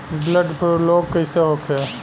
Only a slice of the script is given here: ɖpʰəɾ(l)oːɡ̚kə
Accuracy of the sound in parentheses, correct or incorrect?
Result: correct